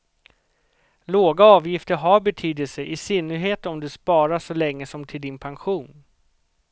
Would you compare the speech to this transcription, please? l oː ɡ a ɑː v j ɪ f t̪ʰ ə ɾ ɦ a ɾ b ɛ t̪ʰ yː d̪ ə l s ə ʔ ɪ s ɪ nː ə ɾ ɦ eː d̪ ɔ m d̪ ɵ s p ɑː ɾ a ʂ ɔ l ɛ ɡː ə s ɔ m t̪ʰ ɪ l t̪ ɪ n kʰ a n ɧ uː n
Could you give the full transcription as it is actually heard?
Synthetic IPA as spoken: l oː ɡ a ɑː v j ɪ f t̪ ə ɾ ɦ a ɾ b ɛ t̪ʰ yː d̪ ə l s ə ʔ ɪ s ɪ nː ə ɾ ɦ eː t̪ ɔ m d̪ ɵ s p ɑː ɾ a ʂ ɔ l ɛ ŋː ə s ɔ m t̪ʰ ɪ l d̪ ɪ n pʰ a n ɧ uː n